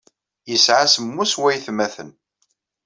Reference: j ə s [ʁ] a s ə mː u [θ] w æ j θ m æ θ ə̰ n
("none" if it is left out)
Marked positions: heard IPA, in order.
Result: ʕ, s

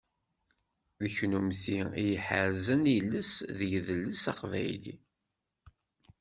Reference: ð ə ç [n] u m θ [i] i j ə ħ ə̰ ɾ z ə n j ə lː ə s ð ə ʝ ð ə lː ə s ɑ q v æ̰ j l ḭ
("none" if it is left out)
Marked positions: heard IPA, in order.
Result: n, i

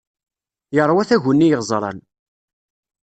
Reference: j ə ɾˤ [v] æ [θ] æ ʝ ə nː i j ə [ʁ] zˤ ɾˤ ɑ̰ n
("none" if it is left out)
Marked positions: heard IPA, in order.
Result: w, θ, ʁ

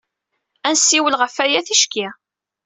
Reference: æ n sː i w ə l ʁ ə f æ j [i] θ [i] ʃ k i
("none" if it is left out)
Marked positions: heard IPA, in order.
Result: æ, i

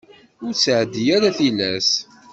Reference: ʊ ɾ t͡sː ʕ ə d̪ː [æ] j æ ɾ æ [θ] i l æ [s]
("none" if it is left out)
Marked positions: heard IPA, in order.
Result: i, θ, s

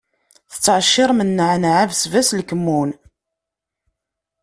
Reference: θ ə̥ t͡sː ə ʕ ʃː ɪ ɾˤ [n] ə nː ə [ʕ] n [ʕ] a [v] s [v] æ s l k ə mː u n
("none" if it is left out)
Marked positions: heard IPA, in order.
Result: m, ʕ, ʕ, v, v

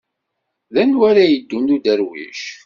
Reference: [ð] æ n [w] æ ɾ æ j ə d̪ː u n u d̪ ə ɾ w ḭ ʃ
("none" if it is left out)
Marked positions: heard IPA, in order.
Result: ð, w

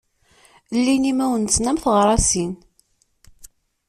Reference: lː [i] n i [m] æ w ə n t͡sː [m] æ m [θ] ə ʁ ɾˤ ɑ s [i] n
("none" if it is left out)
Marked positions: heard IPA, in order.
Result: i, m, n, θ, i

